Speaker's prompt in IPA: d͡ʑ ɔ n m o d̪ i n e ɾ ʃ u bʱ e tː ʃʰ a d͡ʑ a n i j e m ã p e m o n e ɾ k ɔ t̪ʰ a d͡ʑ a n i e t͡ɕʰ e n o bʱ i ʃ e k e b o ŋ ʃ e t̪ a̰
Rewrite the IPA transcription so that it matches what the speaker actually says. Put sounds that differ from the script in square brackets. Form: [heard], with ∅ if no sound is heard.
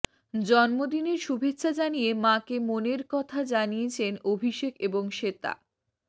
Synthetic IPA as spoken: d͡ʑ ɔ n m o d̪ i n e ɾ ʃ u bʱ e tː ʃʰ a d͡ʑ a n i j e m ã [k] e m o n e ɾ k ɔ t̪ʰ a d͡ʑ a n i e t͡ɕʰ e n o bʱ i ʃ e k e b o ŋ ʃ e t̪ a̰